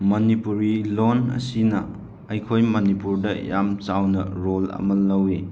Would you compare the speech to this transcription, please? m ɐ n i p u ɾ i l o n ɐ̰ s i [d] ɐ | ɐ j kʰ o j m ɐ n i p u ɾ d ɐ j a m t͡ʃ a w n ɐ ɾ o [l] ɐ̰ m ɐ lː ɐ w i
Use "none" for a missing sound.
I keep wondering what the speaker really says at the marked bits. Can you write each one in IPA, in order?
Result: n, l

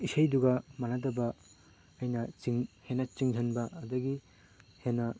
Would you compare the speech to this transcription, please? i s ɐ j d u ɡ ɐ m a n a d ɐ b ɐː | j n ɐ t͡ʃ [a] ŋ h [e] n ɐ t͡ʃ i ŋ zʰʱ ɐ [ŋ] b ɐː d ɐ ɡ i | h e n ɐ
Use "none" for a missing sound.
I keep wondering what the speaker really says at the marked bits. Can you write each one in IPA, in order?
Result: i, e, n

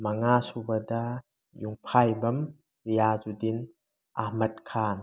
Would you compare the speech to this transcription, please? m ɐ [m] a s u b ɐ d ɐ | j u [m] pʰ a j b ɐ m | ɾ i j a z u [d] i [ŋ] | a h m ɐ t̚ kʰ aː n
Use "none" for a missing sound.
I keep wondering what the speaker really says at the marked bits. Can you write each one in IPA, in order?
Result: ŋ, ŋ, d, n

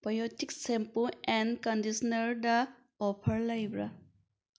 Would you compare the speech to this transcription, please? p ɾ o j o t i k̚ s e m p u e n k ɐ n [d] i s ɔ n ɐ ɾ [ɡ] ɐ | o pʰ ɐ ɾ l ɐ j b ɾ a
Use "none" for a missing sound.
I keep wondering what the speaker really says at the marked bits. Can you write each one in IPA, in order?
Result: d, d

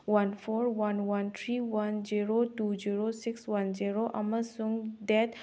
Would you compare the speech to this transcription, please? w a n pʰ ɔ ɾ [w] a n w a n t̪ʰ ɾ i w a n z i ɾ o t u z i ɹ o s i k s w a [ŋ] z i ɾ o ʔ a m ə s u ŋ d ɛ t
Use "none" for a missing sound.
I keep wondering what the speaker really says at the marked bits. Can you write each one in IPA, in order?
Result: w, n

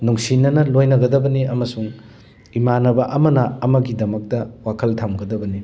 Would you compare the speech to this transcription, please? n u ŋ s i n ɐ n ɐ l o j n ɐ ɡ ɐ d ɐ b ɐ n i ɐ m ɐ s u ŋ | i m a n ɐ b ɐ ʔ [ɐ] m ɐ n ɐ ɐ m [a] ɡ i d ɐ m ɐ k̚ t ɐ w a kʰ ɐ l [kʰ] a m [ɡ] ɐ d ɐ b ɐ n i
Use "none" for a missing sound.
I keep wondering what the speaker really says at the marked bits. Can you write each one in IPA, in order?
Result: ɐ, ɐ, tʰ, ɡ

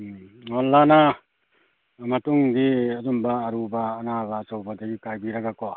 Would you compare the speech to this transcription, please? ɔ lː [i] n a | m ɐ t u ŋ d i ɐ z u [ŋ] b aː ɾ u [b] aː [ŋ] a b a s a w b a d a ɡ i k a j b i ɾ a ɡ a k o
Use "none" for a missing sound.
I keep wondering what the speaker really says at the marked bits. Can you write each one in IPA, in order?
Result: a, m, b, n

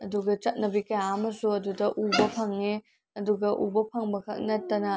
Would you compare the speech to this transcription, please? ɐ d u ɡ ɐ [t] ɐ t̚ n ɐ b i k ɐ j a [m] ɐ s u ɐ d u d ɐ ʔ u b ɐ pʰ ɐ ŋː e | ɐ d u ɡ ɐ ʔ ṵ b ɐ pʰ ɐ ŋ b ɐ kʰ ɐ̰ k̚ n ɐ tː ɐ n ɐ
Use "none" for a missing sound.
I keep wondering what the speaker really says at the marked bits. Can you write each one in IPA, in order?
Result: t͡ʃ, m

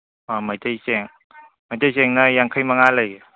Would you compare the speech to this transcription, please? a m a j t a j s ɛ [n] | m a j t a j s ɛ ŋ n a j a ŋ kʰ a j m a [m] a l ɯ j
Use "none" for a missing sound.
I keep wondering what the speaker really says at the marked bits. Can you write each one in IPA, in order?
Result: ŋ, ŋ

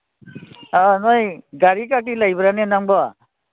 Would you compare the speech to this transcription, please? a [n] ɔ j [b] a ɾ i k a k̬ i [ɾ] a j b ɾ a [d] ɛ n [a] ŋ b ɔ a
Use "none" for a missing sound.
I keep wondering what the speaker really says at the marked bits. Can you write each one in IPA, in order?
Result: n, ɡ, l, n, a

